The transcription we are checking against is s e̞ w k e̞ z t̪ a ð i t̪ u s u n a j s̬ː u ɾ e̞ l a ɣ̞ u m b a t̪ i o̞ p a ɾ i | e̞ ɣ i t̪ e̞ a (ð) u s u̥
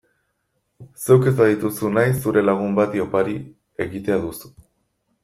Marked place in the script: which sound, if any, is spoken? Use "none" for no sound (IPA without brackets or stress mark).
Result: ð